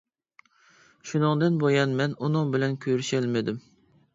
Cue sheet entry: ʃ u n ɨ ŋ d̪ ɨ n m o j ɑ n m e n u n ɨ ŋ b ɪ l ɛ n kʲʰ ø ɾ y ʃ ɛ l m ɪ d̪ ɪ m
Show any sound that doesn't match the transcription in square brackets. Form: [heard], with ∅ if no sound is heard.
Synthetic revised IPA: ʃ u n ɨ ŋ d̪ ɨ n [b] o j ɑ n m [ɛ] n u n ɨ ŋ b ɪ l ɛ n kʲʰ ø ɾ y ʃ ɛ l m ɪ d̪ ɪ m